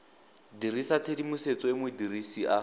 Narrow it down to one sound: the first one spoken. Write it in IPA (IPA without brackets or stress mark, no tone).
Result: d